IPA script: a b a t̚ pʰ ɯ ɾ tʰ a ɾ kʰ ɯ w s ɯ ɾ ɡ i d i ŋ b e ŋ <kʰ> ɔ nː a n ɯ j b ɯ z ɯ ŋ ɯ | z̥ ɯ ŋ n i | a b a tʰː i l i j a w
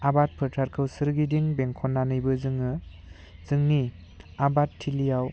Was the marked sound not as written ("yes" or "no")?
no